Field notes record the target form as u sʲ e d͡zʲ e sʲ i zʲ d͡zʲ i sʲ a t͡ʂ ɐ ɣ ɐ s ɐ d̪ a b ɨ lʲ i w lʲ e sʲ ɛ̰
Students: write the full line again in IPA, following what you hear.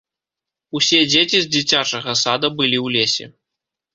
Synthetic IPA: u sʲ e d͡zʲ e t͡sʲ i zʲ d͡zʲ i t͡sʲ a t͡ʂ ɐ ɣ ɐ s a d̪ ɐ b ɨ lʲ i w lʲ e sʲ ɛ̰